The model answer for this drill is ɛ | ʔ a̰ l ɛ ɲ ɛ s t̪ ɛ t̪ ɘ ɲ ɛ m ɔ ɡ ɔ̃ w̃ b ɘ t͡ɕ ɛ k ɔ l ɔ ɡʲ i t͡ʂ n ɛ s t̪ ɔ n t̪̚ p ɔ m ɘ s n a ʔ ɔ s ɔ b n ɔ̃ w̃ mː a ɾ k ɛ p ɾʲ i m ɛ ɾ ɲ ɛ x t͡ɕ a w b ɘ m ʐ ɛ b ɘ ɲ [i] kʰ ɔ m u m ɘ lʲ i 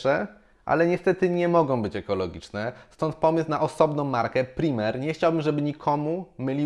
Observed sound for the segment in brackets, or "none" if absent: i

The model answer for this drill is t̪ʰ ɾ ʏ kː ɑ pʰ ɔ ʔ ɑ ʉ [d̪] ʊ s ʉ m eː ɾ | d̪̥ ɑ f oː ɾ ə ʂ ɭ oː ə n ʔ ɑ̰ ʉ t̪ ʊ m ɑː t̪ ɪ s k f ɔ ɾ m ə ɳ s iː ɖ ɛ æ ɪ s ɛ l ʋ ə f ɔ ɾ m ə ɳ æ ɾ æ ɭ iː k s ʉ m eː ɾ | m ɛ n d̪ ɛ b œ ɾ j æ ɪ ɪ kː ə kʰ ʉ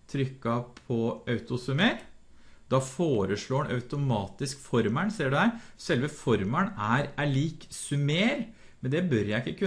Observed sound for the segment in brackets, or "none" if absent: t̪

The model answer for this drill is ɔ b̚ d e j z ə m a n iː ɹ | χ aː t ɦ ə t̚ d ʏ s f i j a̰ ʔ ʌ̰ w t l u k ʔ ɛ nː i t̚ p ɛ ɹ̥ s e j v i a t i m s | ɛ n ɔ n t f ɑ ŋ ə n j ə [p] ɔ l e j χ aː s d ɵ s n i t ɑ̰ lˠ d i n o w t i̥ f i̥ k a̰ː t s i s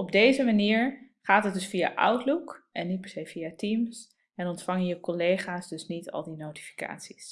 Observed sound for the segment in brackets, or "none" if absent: k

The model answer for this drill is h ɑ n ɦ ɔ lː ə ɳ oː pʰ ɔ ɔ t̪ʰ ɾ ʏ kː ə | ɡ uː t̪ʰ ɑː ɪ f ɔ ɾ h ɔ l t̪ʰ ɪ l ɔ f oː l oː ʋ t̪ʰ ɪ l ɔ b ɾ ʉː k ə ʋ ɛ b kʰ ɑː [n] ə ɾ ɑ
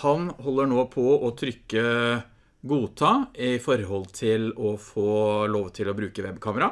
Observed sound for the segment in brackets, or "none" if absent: m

